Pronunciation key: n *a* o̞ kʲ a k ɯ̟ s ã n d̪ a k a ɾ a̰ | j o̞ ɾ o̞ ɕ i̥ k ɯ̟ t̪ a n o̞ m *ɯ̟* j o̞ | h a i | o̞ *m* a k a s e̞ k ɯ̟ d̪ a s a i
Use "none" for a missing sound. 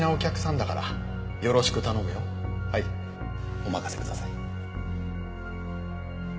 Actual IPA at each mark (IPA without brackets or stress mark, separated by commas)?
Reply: a, ɯ̟, m